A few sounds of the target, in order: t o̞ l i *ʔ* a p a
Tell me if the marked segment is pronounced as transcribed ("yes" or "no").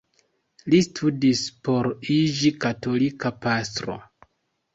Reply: no